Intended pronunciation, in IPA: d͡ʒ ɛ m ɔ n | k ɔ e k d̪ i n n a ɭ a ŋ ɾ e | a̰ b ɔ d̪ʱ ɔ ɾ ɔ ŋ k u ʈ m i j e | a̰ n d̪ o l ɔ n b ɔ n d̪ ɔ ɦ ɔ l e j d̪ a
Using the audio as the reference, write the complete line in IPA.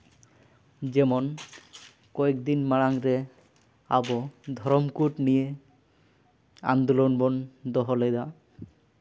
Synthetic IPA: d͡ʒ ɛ m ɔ n | k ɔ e k d̪ i n m a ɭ a ŋ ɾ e | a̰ b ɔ d̪ʱ ɔ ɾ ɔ m k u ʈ n i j e | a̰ n d̪ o l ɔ n b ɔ n d̪ ɔ ɦ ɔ l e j d̪ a